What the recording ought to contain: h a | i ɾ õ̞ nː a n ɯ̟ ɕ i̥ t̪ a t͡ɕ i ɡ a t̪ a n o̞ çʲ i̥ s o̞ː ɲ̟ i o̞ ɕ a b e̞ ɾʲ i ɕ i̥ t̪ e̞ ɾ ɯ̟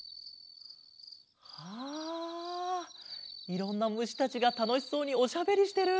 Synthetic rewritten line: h a | i ɾ õ̞ nː a m ɯ̟ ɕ i̥ t̪ a t͡ɕ i ɡ a t̪ a n o̞ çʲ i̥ s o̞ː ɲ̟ i o̞ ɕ a b e̞ ɾʲ i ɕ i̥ t̪ e̞ ɾ ɯ̟